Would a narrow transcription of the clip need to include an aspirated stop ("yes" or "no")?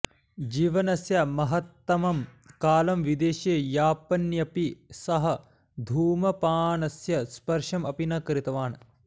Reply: no